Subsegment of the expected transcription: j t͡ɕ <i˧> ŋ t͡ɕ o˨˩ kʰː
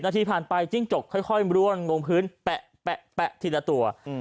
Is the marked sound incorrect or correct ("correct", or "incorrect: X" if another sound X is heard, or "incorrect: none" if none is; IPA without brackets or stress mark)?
incorrect: i˥˩